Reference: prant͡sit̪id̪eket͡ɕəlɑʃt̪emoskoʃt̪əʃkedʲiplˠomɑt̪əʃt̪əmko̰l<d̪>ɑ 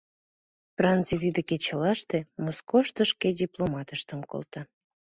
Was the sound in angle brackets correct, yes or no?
no